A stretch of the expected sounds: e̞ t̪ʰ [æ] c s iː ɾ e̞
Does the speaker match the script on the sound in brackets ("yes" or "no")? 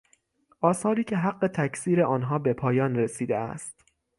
yes